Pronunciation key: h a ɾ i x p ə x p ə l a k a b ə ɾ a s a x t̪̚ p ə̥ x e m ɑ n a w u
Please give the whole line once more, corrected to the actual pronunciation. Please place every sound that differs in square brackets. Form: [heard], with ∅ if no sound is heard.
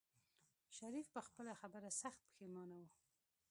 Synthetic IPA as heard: [ʃ] a ɾ i [f] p ə x p ə l a [x] a b ə ɾ a s a x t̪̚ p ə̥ x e m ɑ n a w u